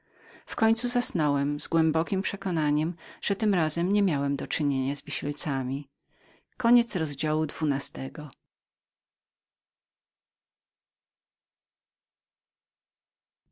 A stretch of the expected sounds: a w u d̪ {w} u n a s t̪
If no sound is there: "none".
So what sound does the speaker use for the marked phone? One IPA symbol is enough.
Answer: v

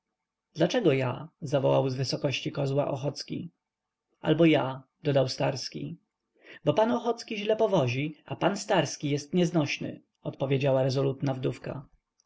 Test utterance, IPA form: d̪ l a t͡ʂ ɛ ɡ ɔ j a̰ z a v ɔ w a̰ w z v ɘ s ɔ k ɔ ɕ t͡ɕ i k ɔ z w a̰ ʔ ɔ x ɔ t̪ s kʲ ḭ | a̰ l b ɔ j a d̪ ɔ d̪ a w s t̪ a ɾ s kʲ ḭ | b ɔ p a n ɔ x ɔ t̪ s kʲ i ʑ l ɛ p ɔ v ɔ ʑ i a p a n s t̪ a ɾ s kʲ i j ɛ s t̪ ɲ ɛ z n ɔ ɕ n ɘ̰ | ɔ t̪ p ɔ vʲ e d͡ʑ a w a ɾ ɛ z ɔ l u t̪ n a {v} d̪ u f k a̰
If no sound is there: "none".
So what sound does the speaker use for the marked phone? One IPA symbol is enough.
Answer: v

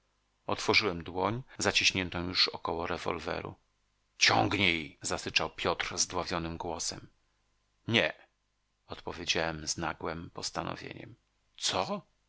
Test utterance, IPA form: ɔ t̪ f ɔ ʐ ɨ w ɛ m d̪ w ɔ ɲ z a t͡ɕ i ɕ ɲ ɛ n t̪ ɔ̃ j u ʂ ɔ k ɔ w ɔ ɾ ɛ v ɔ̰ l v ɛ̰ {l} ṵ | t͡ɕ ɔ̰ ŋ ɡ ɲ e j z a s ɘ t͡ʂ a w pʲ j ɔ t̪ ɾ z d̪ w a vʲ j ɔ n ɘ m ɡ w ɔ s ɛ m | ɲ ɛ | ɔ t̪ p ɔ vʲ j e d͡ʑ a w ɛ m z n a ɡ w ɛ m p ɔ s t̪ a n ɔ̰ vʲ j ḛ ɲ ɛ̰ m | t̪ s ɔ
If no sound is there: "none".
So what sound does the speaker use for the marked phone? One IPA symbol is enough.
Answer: ɾ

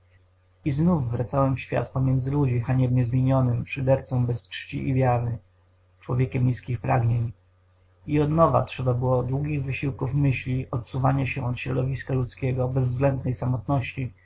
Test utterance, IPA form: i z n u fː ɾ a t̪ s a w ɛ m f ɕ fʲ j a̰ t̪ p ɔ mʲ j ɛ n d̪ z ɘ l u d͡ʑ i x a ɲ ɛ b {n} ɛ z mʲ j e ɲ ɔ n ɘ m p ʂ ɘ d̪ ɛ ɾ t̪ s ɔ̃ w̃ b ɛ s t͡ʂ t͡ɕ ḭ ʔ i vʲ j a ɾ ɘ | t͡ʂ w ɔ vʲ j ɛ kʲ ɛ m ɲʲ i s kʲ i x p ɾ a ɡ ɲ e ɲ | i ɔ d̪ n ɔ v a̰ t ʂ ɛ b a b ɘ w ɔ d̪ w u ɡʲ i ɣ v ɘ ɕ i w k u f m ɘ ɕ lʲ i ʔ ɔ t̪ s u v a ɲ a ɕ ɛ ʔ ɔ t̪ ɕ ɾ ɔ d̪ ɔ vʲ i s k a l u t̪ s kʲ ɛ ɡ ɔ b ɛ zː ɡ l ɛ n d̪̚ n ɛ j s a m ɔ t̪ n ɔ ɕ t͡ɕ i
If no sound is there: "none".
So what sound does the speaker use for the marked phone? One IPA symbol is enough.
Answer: ɲ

